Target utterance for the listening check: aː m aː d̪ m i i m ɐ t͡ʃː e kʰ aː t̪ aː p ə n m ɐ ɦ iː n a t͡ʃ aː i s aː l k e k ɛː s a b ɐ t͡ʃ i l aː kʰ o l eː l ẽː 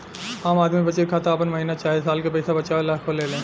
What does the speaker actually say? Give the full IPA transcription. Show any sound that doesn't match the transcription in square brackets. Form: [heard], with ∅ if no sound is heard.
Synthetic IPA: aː m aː d̪ m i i [b] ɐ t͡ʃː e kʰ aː t̪ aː p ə n m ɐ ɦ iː n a t͡ʃ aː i s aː l k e [p] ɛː s a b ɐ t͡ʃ [a] l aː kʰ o l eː l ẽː

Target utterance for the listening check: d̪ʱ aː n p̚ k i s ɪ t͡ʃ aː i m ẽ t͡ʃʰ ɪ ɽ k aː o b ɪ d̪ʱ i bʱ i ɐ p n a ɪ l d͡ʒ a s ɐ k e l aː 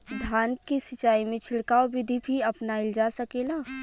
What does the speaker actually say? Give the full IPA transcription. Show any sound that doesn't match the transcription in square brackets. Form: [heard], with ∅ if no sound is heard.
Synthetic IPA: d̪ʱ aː n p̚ k i s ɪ t͡ʃ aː i m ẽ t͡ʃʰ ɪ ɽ k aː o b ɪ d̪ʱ i bʱ i ɐ p n a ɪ l d͡ʒ a s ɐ k e l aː

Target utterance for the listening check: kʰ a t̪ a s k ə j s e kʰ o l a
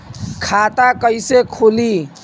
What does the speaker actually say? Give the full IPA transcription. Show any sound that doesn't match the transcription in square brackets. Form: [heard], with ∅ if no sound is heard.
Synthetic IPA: kʰ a t̪ a [∅] k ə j s e kʰ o l [i]

